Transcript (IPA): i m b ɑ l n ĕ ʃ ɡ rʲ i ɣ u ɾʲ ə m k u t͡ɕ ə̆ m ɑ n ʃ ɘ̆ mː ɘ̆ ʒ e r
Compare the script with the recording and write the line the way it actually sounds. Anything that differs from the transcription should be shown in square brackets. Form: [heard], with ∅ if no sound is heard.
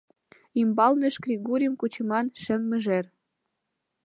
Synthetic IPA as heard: i m b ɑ l n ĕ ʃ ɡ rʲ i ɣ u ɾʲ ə m k u t͡ɕ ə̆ m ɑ n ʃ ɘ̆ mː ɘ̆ ʒ e r